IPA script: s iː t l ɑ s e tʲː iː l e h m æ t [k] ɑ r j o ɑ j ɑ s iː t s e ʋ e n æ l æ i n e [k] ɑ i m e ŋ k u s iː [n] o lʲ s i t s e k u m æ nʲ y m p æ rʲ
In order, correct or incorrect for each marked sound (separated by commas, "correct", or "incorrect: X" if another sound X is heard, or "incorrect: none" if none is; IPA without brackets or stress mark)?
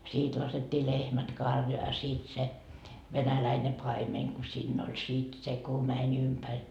correct, incorrect: p, incorrect: nː